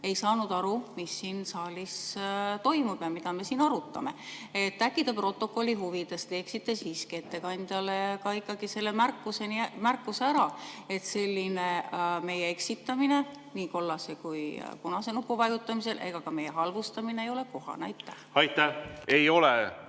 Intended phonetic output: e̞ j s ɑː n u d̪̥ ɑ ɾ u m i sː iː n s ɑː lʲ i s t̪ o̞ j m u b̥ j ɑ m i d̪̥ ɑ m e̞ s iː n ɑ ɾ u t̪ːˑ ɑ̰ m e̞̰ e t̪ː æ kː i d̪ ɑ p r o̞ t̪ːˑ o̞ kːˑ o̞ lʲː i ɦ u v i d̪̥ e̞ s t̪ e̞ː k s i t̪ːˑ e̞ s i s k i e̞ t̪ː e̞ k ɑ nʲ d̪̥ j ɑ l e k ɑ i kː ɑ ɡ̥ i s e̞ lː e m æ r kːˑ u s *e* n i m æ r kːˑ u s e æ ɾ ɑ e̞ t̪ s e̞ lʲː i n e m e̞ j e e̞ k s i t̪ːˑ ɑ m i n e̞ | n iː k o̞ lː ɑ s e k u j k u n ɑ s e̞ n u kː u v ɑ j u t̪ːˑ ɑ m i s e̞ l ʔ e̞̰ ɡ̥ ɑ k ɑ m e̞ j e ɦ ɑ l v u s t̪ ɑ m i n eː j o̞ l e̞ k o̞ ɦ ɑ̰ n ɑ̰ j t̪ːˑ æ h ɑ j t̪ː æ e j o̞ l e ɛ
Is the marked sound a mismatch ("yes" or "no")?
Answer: no